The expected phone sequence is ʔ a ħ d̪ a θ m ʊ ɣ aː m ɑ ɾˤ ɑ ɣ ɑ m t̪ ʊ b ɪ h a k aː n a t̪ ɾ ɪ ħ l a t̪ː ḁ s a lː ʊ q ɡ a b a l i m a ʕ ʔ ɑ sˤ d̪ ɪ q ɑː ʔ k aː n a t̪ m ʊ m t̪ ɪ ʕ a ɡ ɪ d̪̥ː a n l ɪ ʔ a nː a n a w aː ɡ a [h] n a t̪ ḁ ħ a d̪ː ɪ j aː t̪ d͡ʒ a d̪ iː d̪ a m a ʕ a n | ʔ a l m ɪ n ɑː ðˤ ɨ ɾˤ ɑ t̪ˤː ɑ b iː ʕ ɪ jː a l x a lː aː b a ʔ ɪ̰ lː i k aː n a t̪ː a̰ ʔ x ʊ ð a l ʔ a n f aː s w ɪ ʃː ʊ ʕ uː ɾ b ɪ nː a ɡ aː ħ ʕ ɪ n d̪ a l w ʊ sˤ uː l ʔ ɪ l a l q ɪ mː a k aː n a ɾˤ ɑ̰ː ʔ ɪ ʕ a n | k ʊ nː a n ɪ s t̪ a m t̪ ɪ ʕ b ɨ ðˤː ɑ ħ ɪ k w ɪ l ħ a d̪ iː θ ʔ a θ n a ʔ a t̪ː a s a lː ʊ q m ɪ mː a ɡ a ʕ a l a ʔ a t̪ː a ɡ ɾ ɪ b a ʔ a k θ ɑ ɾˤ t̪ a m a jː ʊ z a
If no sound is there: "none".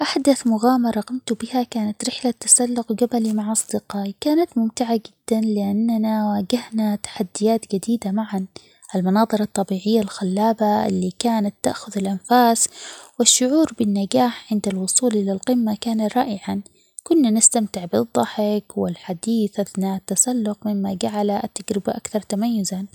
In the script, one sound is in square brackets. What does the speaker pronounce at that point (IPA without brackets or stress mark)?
h